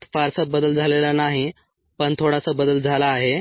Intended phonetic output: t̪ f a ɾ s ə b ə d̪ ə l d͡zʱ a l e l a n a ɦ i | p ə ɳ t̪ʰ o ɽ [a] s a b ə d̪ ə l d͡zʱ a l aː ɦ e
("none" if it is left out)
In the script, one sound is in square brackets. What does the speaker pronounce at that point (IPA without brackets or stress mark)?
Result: a